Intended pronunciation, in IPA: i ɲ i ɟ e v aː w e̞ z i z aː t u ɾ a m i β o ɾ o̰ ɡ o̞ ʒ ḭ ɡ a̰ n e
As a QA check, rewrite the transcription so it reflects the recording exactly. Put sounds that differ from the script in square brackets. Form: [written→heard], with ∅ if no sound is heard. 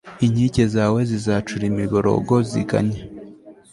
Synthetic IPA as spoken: i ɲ i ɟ e [v→z] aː w e̞ z i z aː [t→t͡ʃ] u ɾ [a→i] m i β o ɾ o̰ ɡ o̞ [ʒ→z] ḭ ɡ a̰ [n→ɲ] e